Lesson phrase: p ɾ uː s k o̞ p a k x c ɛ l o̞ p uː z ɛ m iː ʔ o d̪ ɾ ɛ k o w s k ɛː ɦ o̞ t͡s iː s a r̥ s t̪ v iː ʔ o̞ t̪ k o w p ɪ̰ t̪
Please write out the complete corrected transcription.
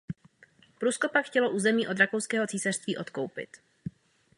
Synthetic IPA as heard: p ɾ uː s k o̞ p a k x c ɛ l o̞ ʔ uː z ɛ m iː ʔ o d̪ ɾ a k o w s k ɛː ɦ o̞ t͡s iː s a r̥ s t̪ v iː ʔ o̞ t̪ k o w p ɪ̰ t̪